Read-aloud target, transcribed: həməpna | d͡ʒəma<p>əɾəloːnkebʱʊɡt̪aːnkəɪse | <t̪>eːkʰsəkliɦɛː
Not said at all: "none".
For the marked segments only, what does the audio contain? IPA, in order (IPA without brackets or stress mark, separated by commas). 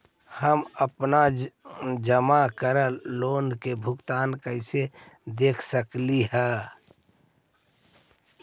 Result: k, d̪